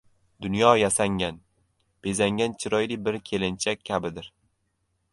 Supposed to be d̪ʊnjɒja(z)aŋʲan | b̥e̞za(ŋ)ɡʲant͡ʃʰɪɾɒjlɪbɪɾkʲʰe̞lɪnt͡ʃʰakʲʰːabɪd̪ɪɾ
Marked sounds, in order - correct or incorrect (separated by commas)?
incorrect, correct